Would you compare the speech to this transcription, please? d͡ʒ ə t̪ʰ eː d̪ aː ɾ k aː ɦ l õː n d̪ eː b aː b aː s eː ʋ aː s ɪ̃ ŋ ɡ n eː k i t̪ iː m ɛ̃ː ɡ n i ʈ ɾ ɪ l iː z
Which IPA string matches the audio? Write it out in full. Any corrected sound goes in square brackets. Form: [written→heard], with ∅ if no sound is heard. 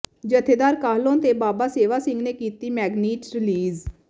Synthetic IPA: d͡ʒ ə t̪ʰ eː d̪ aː ɾ k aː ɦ l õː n [d̪→t̪] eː b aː b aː s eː ʋ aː s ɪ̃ ŋ ɡ n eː k [i→iː] t̪ iː m [ɛ̃ː→ɛː] ɡ n [i→iː] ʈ ɾ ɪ l iː z